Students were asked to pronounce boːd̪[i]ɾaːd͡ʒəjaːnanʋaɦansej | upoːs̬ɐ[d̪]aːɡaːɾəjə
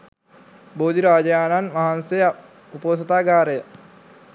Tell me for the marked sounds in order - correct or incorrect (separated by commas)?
correct, incorrect